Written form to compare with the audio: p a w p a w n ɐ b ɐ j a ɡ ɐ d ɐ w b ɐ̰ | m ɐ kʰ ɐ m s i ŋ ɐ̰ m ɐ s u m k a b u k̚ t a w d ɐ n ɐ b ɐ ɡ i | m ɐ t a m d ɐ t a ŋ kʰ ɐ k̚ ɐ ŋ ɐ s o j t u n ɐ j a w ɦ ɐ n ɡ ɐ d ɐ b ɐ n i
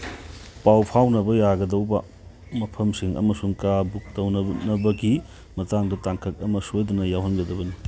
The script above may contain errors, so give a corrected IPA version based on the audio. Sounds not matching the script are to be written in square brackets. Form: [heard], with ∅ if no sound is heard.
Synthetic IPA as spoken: p a w [pʰ] a w n ɐ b ɐ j a ɡ ɐ d ɐ w b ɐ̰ | m ɐ [pʰ] ɐ m s i ŋ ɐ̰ m ɐ s u [ŋ] k a b u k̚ t [ɐ] w [n] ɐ n ɐ b ɐ ɡ i | m ɐ t a [ŋ] d ɐ t a ŋ kʰ ɐ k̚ ɐ [m] ɐ s o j [d] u n ɐ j a w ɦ ɐ n ɡ ɐ d ɐ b ɐ n i